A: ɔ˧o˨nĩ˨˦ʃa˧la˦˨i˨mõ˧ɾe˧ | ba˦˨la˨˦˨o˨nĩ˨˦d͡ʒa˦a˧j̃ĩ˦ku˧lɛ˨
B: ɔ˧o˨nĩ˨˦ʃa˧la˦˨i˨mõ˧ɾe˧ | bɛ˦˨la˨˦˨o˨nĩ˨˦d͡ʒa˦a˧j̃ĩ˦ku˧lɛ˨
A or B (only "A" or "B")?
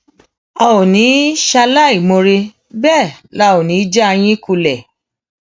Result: B